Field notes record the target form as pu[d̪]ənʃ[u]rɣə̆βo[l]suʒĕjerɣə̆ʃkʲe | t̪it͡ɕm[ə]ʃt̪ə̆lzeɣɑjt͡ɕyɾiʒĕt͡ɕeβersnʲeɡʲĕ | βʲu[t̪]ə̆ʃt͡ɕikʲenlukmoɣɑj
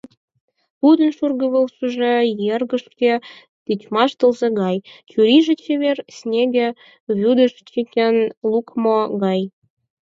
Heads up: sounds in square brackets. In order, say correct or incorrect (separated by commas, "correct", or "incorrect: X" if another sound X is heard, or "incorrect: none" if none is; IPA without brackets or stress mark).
correct, correct, correct, incorrect: ɑ, incorrect: d̪